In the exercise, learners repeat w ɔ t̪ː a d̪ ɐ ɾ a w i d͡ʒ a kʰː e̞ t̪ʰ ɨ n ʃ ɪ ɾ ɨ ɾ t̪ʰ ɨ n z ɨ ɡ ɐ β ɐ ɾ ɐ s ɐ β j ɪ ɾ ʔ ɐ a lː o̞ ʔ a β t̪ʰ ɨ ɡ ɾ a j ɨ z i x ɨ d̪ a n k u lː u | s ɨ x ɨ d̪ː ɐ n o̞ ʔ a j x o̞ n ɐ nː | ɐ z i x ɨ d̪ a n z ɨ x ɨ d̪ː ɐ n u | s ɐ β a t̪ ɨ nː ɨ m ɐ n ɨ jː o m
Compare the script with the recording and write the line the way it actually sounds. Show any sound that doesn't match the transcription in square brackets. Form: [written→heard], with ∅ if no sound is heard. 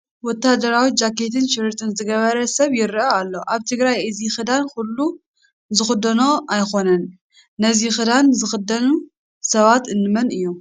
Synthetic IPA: w ɔ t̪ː a d̪ ɐ ɾ a w i d͡ʒ a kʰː e̞ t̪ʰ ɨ n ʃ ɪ ɾ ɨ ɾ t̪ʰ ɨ n z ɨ ɡ ɐ β ɐ ɾ ɐ s ɐ β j ɪ ɾ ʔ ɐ a lː o̞ ʔ a β t̪ʰ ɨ ɡ ɾ a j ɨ z i x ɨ d̪ a n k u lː u | [s→z] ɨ x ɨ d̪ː ɐ n o̞ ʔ a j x o̞ n ɐ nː | ɐ z i x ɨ d̪ a n z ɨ x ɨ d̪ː ɐ n u | s ɐ β a t̪ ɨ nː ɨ m ɐ n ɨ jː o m